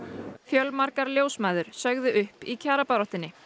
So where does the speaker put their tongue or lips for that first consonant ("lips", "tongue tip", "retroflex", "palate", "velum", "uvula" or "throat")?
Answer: lips